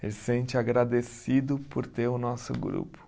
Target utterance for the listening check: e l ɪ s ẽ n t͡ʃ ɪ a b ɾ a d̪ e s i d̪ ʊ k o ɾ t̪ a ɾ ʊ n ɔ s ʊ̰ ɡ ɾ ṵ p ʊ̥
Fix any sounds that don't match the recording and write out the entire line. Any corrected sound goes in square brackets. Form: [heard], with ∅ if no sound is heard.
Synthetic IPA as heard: e l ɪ s ẽ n t͡ʃ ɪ a [ɡ] ɾ a d̪ e s i d̪ ʊ [p] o ɾ t̪ [e] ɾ ʊ n ɔ s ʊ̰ ɡ ɾ ṵ p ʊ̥